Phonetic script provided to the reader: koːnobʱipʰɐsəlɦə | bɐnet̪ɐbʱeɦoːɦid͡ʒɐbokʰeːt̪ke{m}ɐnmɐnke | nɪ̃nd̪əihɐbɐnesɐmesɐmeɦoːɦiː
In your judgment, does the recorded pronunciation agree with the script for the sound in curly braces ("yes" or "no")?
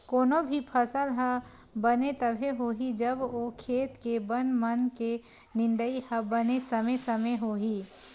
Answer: no